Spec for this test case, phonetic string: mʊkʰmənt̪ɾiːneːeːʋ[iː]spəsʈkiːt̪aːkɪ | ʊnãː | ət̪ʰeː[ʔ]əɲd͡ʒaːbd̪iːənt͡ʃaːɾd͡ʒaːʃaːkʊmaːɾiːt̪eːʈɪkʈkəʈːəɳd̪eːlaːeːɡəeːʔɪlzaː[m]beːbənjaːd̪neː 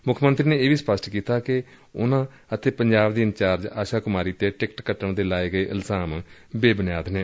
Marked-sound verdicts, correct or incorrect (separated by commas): correct, incorrect, correct